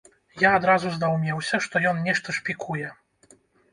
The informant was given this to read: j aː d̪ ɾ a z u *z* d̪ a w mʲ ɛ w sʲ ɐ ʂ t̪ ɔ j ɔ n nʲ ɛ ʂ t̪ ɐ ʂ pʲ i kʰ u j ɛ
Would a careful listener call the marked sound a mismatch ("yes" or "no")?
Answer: no